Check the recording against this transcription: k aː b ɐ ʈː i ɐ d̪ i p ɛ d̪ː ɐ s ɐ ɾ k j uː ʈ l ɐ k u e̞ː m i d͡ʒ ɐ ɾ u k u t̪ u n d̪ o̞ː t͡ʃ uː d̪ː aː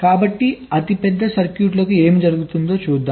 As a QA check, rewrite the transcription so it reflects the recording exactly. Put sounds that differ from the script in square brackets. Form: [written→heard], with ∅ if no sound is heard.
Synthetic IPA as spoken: k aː b ɐ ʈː i ɐ [d̪→t̪] i p ɛ d̪ː ɐ s ɐ ɾ k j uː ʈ l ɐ k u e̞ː m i d͡ʒ ɐ ɾ u [k→ɡ] u t̪ u n d̪ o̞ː t͡ʃ uː d̪ː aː